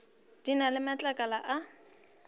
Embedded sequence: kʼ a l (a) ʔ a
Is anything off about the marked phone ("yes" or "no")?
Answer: no